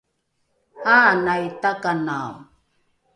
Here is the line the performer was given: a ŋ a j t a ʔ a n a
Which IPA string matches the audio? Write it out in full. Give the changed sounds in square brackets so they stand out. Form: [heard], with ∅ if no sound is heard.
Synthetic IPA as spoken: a [n] a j t a [k] a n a